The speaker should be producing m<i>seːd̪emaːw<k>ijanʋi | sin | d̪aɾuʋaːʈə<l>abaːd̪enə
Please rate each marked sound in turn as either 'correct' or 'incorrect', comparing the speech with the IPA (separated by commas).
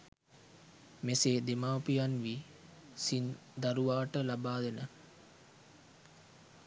incorrect, incorrect, correct